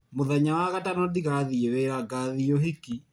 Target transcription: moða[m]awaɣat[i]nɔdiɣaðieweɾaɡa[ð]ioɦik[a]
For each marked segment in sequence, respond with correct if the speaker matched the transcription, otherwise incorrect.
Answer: incorrect: ɲ, incorrect: a, correct, incorrect: i

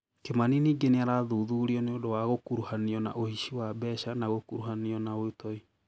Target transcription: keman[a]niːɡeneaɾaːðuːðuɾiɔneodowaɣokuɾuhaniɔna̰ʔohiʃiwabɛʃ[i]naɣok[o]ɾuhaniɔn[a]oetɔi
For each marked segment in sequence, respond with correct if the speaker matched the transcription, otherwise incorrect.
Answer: incorrect: i, incorrect: a, incorrect: u, correct

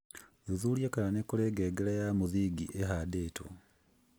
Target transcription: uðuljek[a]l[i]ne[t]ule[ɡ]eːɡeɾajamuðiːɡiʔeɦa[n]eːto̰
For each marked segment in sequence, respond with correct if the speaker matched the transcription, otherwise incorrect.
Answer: correct, incorrect: a, incorrect: k, correct, incorrect: d

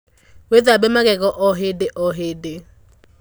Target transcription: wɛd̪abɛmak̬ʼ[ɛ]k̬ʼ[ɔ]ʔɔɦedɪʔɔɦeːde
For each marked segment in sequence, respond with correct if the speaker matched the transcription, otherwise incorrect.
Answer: correct, correct

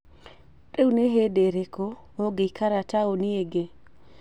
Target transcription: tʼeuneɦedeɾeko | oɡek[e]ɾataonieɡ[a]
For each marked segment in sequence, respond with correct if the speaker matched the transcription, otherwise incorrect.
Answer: incorrect: a, incorrect: e

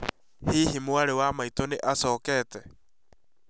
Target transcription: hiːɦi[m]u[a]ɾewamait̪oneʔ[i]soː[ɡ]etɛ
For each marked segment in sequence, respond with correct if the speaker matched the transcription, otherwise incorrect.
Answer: correct, correct, incorrect: a, incorrect: k

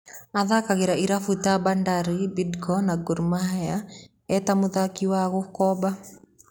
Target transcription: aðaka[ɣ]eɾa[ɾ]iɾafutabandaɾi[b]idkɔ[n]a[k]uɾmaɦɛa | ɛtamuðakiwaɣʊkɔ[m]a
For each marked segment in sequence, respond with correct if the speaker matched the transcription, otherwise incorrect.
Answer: correct, incorrect: none, correct, correct, incorrect: ɡ, incorrect: b

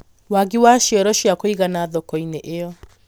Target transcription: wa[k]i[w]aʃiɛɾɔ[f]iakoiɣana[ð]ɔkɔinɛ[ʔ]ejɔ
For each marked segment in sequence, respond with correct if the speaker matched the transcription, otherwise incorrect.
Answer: incorrect: ɡ, correct, incorrect: ʃ, correct, correct

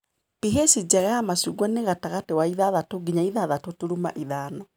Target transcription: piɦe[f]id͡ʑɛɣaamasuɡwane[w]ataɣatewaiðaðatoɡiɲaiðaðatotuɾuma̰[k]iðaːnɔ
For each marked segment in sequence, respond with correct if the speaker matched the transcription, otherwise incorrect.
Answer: incorrect: s, incorrect: ɣ, incorrect: ʔ

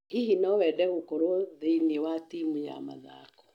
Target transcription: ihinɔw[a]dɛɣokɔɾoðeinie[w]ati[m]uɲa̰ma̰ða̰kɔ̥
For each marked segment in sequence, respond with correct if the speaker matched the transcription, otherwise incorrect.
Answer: incorrect: ɛ, correct, correct

